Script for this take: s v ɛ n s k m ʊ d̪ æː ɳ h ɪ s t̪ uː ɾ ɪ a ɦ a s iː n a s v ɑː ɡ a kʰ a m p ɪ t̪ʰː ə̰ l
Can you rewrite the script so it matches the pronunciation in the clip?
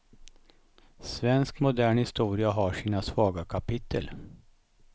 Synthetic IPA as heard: s v ɛ n s k m ʊ d̪ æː ɳ h ɪ s t̪ uː ɾ ɪ a ɦ a ʂ iː n a s v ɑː ɡ a kʰ a p ɪ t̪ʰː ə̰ l